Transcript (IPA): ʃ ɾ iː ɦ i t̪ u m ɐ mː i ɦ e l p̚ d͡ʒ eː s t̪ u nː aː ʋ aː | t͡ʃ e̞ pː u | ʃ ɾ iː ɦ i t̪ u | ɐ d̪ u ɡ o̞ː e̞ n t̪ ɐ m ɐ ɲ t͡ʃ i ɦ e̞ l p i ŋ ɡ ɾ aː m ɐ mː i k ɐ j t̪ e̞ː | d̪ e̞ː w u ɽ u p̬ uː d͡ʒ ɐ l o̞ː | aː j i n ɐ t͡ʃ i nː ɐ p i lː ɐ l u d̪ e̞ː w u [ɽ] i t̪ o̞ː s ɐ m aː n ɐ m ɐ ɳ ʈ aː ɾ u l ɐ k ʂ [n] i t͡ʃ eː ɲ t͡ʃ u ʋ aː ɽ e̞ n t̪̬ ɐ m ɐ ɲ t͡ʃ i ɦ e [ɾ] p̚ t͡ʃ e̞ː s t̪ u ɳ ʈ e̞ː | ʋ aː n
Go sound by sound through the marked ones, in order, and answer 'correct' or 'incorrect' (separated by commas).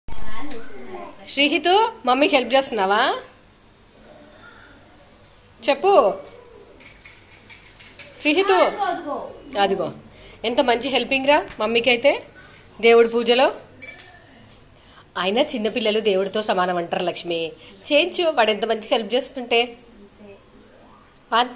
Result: correct, incorrect, incorrect